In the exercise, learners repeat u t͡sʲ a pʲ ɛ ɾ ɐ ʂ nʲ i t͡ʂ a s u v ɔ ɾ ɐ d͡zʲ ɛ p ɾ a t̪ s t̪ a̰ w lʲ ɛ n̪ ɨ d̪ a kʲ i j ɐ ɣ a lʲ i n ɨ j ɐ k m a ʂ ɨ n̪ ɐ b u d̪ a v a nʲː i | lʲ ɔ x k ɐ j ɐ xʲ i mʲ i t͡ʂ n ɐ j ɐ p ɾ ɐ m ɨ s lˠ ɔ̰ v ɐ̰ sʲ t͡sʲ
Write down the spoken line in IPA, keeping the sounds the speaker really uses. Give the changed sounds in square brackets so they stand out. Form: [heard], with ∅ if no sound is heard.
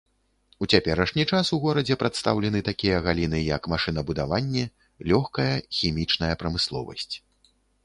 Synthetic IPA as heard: u t͡sʲ a pʲ ɛ ɾ ɐ ʂ nʲ i t͡ʂ a s u [ɣ] ɔ ɾ ɐ d͡zʲ ɛ p ɾ a t̪ s t̪ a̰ w lʲ ɛ n̪ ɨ [t̪] a kʲ i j ɐ ɣ a lʲ i n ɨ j ɐ k m a ʂ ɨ n̪ ɐ b u d̪ a v a nʲː [ɛ] | lʲ ɔ x k ɐ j ɐ xʲ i mʲ i t͡ʂ n ɐ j ɐ p ɾ ɐ m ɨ s lˠ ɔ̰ v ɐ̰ sʲ t͡sʲ